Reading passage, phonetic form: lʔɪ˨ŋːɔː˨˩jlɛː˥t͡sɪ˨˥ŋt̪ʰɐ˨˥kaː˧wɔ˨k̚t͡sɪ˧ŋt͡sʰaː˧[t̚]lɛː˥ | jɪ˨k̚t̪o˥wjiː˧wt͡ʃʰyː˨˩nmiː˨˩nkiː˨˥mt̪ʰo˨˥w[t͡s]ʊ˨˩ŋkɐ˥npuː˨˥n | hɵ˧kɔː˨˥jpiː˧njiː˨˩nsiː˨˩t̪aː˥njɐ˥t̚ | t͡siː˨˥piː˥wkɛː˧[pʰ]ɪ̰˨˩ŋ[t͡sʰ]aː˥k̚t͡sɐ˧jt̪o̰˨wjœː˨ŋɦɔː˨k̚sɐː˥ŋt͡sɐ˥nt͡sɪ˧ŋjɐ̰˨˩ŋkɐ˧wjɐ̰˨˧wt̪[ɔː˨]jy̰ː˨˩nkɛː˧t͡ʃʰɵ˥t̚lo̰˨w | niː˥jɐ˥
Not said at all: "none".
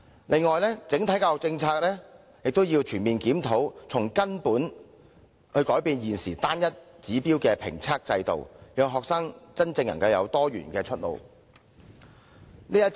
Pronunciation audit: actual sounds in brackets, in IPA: k̚, t͡sʰ, pʰ, t͡sʰ, ɔː˥

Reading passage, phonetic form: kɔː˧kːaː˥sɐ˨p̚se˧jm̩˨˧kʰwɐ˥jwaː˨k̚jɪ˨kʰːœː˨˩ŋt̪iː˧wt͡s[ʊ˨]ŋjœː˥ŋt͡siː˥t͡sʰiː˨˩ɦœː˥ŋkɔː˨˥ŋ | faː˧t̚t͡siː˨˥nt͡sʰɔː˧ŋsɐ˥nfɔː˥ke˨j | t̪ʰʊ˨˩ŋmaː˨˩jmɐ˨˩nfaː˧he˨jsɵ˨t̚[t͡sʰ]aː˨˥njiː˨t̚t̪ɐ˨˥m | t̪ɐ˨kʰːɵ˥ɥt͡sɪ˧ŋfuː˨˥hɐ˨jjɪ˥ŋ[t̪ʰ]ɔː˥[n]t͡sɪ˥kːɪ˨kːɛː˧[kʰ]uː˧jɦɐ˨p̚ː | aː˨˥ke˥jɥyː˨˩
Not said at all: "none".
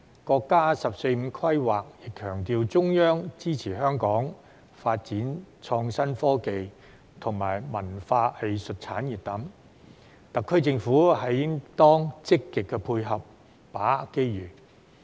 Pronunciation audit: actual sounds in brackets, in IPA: ʊ˥, t͡sʰ, t̪, ŋ, pʰ

